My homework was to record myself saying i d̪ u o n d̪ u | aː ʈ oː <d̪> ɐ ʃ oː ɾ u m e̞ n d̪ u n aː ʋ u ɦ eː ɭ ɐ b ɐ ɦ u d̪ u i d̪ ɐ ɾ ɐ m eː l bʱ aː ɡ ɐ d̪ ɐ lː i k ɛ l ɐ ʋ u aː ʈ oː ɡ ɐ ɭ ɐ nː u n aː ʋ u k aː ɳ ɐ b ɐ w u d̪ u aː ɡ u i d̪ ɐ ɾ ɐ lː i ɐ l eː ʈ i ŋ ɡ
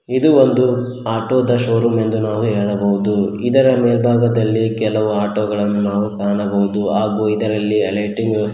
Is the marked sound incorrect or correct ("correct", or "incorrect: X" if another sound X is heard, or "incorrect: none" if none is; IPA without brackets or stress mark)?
correct